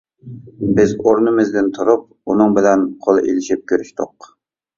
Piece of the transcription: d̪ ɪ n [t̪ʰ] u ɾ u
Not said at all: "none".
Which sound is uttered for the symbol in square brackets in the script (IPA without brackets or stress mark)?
t̪ʰ